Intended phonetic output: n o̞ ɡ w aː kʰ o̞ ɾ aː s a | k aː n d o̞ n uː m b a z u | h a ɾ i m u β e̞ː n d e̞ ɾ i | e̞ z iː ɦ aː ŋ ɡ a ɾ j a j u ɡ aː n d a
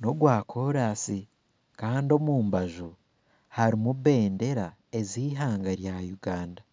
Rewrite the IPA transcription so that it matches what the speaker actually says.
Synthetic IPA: n o̞ ɡ w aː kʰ o̞ ɾ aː s i | k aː n d o̞ m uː m b a ʒ u | h a ɾ i m u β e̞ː n d e̞ ɾ a | e̞ z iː ɦ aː ŋ ɡ a ɾ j a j u ɡ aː n d a